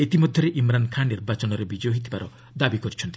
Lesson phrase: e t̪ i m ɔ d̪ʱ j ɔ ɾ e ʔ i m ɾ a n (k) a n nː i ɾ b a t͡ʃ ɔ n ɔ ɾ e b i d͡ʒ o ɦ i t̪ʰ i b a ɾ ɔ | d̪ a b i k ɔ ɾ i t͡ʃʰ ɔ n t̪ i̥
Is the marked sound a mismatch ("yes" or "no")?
yes